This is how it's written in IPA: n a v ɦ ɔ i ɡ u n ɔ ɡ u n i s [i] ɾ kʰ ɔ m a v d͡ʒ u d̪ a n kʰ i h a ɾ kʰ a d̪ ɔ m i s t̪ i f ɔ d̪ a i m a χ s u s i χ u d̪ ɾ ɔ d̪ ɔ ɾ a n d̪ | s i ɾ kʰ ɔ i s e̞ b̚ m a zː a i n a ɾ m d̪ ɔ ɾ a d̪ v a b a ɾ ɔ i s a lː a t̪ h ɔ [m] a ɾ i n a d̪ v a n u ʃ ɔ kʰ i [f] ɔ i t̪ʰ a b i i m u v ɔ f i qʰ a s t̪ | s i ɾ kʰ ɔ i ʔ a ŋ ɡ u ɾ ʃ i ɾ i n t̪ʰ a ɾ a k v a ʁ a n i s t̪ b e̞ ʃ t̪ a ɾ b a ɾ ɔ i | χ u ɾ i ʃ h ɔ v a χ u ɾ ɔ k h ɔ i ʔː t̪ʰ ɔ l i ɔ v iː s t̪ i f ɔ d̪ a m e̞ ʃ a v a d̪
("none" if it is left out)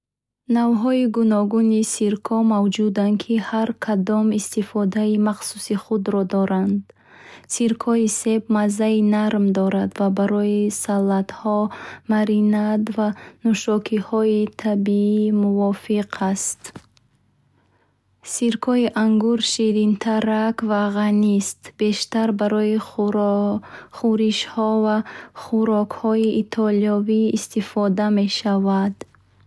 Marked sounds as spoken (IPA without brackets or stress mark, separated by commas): i, m, h